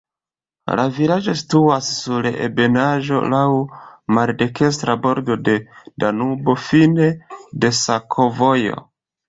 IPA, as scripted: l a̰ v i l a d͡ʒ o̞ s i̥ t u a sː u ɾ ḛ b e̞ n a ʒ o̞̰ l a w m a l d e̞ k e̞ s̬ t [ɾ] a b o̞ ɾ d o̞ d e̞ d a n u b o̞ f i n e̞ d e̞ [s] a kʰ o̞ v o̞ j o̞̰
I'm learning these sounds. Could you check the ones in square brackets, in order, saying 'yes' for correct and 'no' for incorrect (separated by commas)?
yes, yes